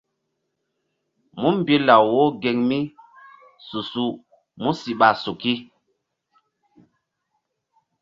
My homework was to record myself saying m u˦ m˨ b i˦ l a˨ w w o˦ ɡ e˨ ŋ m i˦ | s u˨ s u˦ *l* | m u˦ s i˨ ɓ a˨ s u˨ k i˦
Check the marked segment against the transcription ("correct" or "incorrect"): incorrect